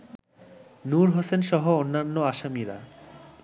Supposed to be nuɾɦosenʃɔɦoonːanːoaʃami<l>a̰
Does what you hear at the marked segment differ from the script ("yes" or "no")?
yes